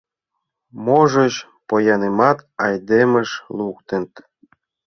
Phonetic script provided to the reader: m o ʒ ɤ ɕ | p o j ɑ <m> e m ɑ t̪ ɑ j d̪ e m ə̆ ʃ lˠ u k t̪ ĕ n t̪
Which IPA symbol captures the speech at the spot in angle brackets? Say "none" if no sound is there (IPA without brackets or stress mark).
n